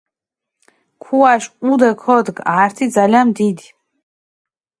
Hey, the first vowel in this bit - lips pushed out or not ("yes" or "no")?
yes